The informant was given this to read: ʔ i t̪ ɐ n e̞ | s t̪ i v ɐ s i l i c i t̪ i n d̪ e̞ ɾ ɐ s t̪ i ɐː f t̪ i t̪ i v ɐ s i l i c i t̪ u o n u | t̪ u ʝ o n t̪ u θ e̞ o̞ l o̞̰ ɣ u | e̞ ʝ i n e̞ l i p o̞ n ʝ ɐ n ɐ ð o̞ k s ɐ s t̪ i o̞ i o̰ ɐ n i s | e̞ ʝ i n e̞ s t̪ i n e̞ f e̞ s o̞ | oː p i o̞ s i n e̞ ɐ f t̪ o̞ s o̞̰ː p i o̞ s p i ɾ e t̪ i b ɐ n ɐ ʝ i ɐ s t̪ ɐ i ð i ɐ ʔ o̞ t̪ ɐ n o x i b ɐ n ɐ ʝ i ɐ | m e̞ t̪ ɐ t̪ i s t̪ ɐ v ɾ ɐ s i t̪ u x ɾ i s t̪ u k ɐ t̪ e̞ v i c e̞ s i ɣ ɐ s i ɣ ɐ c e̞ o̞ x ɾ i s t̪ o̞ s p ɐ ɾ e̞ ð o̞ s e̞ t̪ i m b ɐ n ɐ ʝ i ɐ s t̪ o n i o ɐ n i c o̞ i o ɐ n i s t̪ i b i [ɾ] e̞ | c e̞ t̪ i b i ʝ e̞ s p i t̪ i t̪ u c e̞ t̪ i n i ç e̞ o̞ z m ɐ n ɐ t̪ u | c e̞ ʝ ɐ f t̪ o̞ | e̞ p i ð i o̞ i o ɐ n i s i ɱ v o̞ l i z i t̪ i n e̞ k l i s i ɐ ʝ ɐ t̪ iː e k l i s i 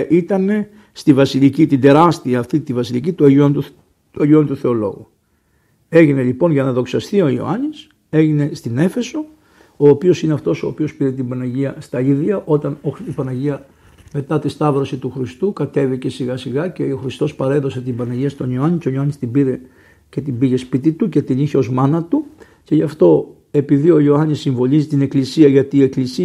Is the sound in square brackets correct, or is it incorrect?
correct